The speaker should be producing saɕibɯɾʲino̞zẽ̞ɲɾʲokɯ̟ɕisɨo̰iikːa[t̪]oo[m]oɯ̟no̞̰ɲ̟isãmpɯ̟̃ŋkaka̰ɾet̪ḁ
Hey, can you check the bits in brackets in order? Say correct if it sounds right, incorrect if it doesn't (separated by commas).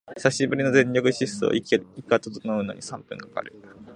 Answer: correct, incorrect